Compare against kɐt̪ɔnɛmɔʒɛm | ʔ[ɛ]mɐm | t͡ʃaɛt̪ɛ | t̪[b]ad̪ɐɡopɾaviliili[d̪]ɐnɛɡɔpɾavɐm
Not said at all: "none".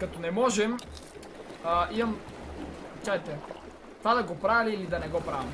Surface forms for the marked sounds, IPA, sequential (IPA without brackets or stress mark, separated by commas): i, v, d̪